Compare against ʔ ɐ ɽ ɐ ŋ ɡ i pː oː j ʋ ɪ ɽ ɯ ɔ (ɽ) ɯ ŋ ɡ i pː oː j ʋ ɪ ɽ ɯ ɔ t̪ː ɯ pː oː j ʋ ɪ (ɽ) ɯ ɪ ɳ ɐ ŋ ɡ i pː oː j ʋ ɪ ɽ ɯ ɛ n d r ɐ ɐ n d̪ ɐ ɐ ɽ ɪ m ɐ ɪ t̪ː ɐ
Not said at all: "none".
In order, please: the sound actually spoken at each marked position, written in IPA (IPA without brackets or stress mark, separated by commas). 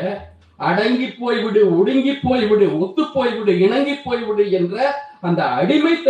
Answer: ɽ, ɽ